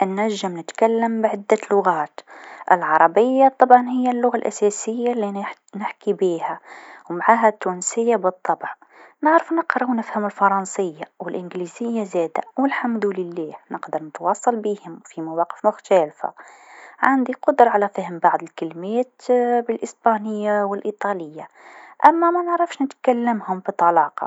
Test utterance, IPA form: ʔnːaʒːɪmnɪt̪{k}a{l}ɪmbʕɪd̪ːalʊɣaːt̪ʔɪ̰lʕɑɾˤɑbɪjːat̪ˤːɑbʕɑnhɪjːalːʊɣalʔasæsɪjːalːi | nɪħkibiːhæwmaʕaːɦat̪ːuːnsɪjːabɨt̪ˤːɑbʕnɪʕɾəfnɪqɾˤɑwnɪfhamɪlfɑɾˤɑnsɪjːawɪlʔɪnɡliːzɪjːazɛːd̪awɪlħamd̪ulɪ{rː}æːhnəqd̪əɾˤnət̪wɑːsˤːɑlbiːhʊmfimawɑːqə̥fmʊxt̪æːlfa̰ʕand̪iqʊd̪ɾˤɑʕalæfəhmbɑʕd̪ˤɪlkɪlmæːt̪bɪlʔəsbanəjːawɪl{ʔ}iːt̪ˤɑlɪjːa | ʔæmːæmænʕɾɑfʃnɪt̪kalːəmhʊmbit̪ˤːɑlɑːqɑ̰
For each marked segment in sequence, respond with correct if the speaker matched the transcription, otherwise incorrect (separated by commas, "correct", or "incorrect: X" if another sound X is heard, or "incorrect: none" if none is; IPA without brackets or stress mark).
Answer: correct, incorrect: lː, incorrect: lː, correct